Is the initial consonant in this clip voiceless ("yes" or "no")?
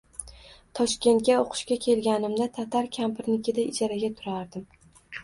yes